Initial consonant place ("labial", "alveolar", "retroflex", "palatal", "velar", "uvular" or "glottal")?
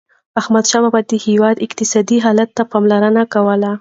glottal